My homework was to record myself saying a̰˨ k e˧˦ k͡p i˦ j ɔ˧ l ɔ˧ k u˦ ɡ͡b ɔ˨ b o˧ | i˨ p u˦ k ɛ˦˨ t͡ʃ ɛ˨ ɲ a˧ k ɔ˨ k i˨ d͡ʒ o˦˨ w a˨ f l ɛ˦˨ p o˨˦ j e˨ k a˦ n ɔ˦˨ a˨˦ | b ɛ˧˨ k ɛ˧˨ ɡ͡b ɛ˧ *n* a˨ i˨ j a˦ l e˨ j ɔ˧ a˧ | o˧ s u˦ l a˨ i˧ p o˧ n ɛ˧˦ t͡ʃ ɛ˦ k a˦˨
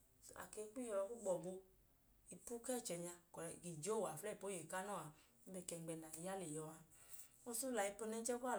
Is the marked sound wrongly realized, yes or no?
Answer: no